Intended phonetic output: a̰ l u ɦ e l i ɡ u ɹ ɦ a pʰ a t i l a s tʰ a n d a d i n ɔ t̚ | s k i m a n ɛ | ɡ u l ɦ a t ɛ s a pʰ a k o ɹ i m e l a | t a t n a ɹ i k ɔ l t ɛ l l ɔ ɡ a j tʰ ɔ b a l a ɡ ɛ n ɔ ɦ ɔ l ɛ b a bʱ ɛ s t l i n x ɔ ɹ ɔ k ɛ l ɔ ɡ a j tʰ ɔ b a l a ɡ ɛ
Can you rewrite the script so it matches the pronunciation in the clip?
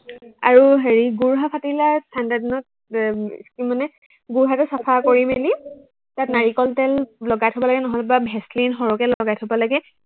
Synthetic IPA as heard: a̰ ɹ u ɦ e ɹ i ɡ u ɹ ɦ a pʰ a t i l a s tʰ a n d a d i n ɔ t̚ | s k i m a n ɛ | ɡ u ɹ ɦ a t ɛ s a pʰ a k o ɹ i m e l i | t a t n a ɹ i k ɔ l t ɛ l l ɔ ɡ a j tʰ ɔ b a l a ɡ ɛ n ɔ ɦ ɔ l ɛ b a bʱ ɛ s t l i n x ɔ ɹ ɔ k ɛ l ɔ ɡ a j tʰ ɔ b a l a ɡ ɛ